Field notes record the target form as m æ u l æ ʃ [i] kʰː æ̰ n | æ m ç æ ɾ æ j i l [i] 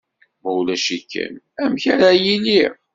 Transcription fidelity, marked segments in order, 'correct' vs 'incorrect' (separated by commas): correct, correct